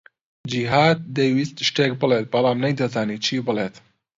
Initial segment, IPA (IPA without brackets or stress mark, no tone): d͡ʒ